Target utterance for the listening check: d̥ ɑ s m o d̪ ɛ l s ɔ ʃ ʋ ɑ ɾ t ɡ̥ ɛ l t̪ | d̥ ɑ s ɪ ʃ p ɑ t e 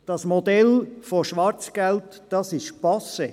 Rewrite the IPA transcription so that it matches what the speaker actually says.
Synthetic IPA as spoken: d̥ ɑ s m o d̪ ɛ l f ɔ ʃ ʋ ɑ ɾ t͡s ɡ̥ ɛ l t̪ | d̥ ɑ s ɪ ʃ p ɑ s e